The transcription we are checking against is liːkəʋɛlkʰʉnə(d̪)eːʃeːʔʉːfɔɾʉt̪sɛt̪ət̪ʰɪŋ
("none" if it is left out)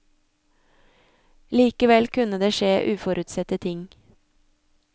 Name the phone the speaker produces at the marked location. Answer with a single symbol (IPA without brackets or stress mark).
d̪